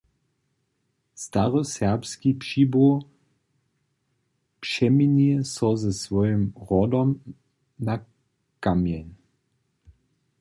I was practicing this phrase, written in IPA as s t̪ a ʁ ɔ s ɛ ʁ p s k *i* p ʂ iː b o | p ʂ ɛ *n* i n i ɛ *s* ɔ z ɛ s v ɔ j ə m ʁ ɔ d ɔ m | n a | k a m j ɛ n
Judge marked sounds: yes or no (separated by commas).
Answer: yes, no, yes